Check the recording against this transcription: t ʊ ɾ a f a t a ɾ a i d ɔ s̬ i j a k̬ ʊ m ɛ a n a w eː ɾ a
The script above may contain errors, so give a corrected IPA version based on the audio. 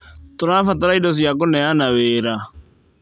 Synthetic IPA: t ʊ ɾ a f a t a ɾ a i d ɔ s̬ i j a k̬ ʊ n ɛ a n a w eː ɾ a